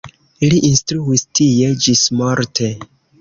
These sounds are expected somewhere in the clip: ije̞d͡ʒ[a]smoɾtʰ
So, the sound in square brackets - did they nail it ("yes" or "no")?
no